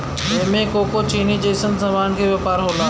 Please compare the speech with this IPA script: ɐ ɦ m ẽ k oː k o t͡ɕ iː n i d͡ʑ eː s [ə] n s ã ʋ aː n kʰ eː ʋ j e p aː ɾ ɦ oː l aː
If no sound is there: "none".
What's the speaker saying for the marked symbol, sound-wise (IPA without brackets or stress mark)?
ə